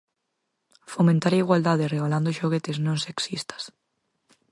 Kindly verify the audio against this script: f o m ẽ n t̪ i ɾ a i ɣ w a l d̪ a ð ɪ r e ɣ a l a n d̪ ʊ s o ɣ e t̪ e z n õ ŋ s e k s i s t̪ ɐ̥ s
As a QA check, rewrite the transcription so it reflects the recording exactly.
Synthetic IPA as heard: f o m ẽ n t̪ a ɾ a i ɣ w a l d̪ a ð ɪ r e ɣ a l a n d̪ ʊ ʃ o ɣ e t̪ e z n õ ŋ s e k s i s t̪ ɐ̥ s